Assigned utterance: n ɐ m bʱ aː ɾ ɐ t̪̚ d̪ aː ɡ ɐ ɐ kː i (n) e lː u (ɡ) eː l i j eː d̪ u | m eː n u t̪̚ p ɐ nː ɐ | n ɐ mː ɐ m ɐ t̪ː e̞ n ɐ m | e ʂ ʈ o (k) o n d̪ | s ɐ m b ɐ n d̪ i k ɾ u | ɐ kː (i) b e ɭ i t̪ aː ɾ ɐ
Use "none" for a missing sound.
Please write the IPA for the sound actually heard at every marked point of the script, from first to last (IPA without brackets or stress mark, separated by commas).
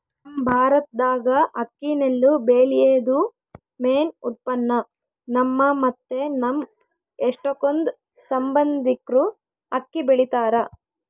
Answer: n, b, k, i